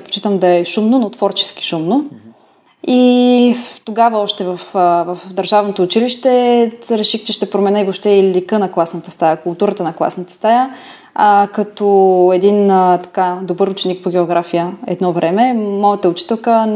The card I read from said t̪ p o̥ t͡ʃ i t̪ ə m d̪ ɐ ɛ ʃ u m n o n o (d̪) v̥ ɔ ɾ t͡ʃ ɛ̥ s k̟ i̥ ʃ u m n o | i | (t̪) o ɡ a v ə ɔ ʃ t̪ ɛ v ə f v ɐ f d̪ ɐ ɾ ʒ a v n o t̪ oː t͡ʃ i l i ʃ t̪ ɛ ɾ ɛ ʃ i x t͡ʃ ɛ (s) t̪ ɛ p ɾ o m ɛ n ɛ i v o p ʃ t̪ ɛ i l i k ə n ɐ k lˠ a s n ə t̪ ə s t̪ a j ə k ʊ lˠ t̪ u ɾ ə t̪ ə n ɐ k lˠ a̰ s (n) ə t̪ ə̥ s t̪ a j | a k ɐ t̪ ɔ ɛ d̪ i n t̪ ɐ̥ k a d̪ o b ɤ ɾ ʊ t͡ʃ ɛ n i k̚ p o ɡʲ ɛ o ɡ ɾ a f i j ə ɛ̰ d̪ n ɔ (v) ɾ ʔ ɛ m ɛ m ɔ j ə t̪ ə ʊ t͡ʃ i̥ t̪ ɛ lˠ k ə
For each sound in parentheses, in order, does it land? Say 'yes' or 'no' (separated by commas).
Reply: no, yes, no, yes, yes